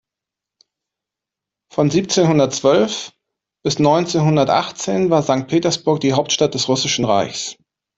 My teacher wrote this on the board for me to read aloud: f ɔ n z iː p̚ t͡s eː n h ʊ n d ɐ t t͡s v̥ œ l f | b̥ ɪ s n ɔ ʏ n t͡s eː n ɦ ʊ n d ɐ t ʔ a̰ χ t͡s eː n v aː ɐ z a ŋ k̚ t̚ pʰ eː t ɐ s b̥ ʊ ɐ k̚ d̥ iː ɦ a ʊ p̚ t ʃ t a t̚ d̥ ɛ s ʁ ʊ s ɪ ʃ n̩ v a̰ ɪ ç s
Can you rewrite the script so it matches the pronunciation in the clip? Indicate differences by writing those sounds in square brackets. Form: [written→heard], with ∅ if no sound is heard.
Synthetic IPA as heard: f ɔ n z iː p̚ t͡s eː n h ʊ n d ɐ t t͡s v̥ œ l f | b̥ ɪ s n ɔ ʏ n t͡s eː n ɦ ʊ n d ɐ t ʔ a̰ χ t͡s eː n v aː ɐ z a ŋ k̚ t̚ pʰ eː t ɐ s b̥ ʊ ɐ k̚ d̥ iː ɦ a ʊ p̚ t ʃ t a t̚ d̥ ɛ s ʁ ʊ s ɪ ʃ n̩ [v→ʁ] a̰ ɪ ç s